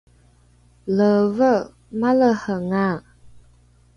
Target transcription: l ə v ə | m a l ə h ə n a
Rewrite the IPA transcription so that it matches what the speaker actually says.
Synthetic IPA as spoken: l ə v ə | m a l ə h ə ŋ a